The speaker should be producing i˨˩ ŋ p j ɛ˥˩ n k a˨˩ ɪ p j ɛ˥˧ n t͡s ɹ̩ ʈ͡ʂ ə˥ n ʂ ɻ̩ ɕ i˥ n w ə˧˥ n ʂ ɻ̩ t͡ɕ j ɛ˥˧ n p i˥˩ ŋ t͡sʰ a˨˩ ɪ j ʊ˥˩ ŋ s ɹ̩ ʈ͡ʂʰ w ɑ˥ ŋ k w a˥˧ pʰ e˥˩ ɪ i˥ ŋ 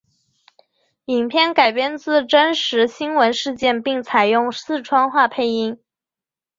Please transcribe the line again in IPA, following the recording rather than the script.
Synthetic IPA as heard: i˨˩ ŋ pʰ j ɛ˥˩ n k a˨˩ ɪ p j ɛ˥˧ n t͡s ɹ̩ ʈ͡ʂ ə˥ n ʂ ɻ̩ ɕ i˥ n w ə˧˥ n ʂ ɻ̩ t͡ɕ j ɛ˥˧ n p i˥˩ ŋ t͡sʰ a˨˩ ɪ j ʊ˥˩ ŋ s ɹ̩ ʈ͡ʂʰ w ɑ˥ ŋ x w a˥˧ pʰ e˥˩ ɪ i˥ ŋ

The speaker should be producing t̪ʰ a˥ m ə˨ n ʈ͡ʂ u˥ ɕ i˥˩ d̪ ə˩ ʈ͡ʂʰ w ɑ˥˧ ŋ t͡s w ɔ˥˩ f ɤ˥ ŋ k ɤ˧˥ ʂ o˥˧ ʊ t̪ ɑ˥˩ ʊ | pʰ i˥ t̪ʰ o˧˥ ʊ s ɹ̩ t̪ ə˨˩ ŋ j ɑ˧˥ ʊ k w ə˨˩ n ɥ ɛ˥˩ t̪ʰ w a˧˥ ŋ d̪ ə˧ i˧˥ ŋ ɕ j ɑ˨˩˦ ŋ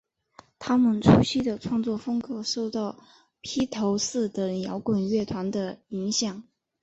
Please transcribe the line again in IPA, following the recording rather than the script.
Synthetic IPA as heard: t̪ʰ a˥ m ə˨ n ʈ͡ʂʰ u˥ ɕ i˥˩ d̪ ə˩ ʈ͡ʂʰ w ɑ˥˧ ŋ t͡s w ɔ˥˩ f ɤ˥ ŋ k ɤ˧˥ ʂ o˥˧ ʊ t̪ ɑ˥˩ ʊ | pʰ i˥ t̪ʰ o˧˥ ʊ s ɹ̩ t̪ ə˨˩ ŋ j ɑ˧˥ ʊ k w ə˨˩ n ɥ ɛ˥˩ t̪ʰ w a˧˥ n d̪ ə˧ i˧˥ ŋ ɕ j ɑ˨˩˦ ŋ

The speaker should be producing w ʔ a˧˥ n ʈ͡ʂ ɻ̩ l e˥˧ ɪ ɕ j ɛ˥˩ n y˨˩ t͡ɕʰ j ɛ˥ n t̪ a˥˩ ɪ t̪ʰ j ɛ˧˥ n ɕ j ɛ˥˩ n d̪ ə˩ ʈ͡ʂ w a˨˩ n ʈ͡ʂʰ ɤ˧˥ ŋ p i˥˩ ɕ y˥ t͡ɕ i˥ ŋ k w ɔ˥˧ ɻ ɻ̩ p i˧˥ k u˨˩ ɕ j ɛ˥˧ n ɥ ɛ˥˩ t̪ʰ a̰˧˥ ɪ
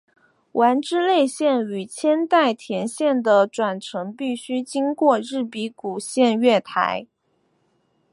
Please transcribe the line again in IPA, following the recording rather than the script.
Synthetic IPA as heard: w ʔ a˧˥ n ʈ͡ʂ ɻ̩ l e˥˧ ɪ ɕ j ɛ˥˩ n y˨˩ t͡ɕʰ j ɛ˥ n t̪ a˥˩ ɪ t̪ʰ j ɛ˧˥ n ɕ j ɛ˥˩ n d̪ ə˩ ʈ͡ʂ w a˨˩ n ʈ͡ʂʰ ɤ˧˥ ŋ p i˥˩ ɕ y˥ t͡ɕ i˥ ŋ k w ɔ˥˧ ɻ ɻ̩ p i˧˥ k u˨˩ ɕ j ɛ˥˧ n ɥ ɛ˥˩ t̪ʰ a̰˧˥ ɪ

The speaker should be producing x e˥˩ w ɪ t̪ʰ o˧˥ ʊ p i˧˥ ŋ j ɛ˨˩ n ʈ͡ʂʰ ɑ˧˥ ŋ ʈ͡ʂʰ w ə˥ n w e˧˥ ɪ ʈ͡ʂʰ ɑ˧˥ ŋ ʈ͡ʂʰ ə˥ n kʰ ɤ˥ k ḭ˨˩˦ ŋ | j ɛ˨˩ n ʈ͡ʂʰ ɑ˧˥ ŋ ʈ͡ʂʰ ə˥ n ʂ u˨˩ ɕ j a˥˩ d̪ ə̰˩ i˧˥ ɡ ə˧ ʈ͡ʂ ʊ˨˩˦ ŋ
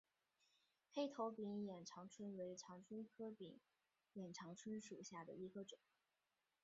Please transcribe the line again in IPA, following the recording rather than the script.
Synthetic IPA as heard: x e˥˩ ɪ t̪ʰ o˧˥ ʊ p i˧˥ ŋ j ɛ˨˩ n ʈ͡ʂʰ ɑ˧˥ ŋ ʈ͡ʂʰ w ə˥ n w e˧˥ ɪ ʈ͡ʂʰ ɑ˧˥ ŋ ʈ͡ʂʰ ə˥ n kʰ ɤ˥ p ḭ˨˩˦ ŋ | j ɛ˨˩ n ʈ͡ʂʰ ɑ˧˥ ŋ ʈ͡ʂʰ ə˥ n ʂ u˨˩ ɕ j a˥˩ d̪ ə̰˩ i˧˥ ɡ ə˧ ʈ͡ʂ ʊ˨˩˦ ŋ

